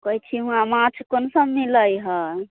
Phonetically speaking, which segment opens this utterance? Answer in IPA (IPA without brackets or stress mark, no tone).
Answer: k